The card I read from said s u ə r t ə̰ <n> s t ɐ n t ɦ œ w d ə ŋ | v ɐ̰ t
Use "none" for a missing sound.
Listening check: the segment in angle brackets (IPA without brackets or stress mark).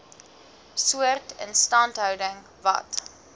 n